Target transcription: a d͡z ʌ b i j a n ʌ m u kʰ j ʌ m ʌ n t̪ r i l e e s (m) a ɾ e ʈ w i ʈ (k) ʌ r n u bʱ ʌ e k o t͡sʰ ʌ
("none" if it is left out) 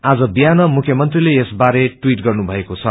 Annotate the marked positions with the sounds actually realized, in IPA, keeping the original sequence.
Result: b, ɡ

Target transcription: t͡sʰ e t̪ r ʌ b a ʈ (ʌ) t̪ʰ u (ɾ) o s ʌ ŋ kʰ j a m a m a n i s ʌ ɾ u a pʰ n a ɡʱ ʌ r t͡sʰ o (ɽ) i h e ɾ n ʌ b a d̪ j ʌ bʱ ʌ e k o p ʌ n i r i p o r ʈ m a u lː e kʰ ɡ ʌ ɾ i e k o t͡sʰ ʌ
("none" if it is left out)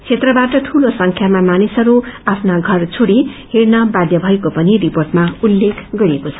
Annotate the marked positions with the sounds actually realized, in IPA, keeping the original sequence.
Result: ʌ, l, ɽ

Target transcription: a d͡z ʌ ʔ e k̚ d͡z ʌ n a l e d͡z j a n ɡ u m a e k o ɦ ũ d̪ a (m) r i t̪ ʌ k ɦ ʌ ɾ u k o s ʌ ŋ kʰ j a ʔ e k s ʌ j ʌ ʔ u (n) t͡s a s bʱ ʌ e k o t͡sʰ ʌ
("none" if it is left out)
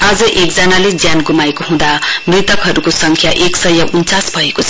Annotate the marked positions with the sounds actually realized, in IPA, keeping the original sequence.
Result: m, n

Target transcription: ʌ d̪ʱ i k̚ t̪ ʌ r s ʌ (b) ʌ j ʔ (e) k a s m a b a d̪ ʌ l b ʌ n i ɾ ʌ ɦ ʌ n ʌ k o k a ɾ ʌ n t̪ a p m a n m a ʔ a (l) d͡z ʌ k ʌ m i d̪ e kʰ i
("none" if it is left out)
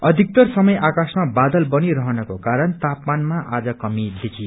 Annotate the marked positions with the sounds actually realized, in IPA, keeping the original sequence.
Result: m, a, none

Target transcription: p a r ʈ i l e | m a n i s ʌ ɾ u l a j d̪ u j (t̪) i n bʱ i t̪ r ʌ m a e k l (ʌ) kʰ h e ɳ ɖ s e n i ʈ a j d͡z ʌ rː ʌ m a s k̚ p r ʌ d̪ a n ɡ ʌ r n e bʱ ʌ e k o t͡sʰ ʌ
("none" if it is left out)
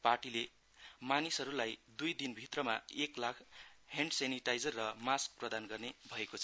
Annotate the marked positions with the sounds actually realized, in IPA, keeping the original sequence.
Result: d̪, a

